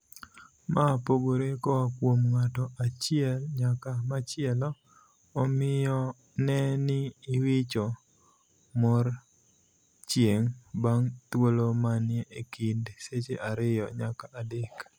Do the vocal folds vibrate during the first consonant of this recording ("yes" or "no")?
yes